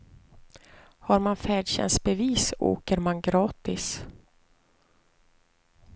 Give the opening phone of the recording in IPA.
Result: h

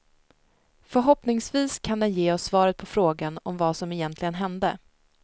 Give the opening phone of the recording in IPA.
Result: f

